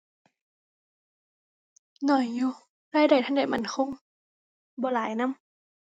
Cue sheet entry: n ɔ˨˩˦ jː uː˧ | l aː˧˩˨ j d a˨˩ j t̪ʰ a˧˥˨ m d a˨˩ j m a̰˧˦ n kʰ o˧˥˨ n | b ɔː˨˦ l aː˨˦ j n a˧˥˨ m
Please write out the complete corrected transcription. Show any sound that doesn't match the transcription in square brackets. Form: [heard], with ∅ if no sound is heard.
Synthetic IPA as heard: n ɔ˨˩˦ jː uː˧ | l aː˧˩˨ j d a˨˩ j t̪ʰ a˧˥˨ [n] d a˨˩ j m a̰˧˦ n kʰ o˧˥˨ [ŋ] | b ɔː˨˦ l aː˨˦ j n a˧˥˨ m